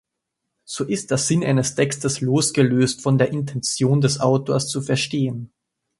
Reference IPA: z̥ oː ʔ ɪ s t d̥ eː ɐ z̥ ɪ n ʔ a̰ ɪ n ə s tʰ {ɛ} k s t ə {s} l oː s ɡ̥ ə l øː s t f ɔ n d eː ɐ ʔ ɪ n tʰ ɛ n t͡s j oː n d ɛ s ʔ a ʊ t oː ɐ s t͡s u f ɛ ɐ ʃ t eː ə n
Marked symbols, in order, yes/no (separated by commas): yes, yes